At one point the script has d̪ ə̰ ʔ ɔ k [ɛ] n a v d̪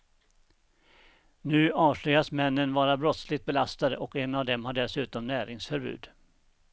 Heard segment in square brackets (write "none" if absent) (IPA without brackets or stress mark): ɛ